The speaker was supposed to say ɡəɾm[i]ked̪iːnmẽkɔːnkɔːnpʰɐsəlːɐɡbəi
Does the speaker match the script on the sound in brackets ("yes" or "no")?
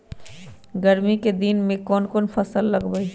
yes